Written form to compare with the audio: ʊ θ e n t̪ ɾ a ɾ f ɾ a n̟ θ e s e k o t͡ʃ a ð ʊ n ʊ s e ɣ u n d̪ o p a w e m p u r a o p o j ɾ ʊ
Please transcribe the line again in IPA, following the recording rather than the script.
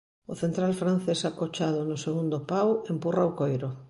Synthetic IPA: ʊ θ e n t̪ ɾ a l f ɾ a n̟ θ e s a k o t͡ʃ a ð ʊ n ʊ s e ɣ u n d̪ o p a w e m p u r a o k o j ɾ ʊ